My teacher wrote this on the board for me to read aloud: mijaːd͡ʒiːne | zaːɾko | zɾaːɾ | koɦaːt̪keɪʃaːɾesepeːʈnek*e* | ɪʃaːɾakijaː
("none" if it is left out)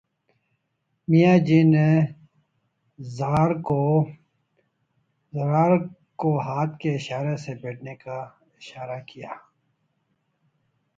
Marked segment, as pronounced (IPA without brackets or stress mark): a